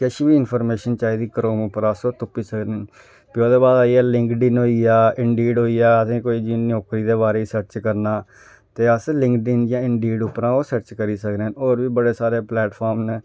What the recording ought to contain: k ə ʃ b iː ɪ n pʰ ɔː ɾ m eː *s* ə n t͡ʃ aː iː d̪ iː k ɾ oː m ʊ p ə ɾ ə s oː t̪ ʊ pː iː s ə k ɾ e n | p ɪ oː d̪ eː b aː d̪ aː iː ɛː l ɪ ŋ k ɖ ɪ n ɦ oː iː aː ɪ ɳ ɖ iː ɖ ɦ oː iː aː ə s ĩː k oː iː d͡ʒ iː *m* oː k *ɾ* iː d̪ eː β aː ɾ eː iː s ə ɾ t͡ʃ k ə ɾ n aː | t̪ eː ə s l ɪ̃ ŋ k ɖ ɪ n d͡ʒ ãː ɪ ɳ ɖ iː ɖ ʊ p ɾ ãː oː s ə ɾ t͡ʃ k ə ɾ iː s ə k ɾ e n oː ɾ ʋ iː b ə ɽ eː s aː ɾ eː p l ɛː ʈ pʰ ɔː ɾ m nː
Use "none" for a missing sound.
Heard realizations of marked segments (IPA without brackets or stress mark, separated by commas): ʃ, n, ɾ